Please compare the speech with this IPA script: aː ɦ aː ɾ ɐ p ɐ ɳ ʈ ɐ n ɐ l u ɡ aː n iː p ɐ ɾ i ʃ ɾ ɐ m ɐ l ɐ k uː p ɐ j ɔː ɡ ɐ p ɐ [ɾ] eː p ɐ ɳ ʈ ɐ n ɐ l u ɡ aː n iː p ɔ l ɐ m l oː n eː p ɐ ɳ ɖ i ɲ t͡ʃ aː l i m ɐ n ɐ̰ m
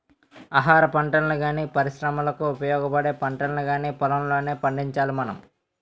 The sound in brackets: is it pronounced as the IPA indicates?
no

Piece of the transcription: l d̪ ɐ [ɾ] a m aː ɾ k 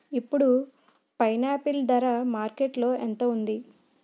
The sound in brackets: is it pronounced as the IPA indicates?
yes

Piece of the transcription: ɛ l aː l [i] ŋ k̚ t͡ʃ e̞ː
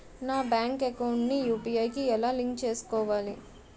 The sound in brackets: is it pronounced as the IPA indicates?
yes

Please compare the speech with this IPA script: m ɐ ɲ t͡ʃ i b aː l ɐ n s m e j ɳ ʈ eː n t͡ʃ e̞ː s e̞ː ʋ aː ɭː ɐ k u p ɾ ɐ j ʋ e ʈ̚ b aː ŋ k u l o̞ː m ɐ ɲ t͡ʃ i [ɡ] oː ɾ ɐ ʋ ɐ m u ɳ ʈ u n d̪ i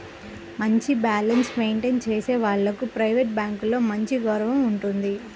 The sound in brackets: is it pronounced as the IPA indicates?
yes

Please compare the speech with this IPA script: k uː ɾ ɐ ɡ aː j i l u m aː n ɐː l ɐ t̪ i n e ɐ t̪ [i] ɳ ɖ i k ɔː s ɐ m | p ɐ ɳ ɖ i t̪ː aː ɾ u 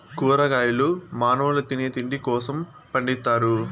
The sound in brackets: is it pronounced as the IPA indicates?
yes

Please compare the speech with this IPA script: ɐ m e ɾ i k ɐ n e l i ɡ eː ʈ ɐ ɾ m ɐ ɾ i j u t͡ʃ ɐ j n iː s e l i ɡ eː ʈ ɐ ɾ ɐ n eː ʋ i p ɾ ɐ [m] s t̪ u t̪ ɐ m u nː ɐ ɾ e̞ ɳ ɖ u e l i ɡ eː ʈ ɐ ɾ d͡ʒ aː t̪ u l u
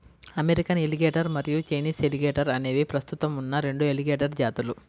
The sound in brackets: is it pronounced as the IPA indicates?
no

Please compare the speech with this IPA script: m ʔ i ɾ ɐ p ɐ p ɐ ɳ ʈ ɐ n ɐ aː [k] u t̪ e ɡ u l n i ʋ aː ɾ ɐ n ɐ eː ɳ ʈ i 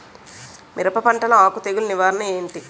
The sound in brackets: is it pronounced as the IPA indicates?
yes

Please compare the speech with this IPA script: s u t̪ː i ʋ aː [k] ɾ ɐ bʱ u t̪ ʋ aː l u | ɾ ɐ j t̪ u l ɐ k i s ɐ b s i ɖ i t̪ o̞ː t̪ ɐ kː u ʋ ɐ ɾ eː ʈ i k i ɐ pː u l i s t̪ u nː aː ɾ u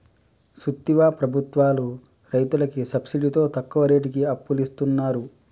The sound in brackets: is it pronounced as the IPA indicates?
no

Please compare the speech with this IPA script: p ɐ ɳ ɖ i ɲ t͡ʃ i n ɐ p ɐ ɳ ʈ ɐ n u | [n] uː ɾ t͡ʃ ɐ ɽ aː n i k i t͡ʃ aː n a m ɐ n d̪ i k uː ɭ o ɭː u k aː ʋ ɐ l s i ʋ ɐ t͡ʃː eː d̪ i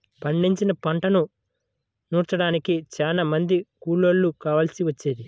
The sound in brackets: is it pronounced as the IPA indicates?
yes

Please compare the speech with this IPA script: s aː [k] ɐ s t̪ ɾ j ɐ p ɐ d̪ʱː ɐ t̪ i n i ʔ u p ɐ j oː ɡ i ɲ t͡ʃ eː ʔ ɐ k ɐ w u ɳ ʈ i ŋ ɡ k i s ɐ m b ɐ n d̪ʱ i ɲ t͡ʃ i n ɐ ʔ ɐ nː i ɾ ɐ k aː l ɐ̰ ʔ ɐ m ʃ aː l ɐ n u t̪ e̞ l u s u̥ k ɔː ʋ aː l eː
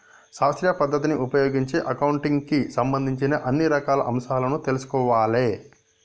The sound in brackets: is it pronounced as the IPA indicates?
no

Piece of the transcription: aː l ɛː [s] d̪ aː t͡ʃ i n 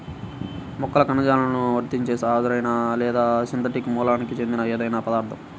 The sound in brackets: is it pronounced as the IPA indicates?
no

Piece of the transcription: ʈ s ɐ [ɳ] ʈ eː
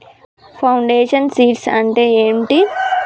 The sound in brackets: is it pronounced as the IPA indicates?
yes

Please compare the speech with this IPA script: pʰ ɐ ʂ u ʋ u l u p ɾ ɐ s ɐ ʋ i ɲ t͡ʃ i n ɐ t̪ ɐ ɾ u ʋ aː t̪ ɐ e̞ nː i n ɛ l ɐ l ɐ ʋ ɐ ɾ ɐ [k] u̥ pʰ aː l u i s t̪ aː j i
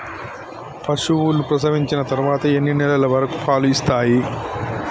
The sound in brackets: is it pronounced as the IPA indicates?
yes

